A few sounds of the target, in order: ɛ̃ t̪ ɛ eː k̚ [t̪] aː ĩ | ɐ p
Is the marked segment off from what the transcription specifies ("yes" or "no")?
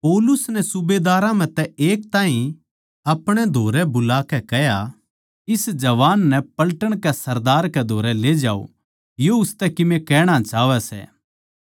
no